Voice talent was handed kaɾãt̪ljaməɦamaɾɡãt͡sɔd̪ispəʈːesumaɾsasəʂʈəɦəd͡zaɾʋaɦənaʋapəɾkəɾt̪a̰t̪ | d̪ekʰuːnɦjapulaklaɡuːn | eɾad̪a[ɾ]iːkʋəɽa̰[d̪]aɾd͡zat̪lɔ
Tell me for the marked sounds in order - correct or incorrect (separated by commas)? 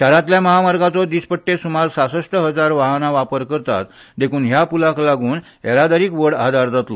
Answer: correct, correct